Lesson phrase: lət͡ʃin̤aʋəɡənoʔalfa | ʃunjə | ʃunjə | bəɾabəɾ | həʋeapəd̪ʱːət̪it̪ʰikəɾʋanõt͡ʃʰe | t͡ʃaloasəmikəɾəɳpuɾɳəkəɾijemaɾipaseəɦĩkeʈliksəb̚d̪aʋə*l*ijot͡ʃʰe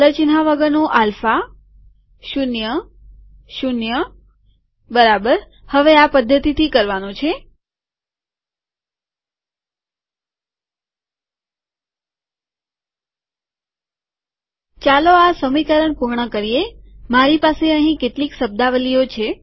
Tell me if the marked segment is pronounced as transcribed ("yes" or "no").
yes